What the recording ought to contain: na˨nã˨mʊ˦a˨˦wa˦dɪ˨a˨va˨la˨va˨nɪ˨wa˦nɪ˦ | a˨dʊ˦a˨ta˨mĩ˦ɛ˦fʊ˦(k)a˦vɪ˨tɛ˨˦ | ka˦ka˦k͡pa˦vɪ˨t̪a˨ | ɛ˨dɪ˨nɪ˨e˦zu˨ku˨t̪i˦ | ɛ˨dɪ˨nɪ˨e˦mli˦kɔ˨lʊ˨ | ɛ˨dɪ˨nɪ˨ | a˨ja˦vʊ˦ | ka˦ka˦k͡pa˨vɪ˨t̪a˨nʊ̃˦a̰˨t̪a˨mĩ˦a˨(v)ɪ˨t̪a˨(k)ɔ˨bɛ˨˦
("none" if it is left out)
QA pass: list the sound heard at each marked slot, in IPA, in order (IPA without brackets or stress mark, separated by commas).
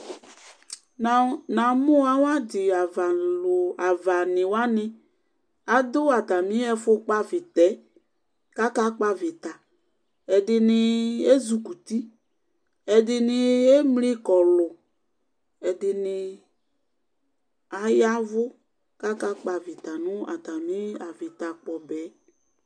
k͡p, v, k͡p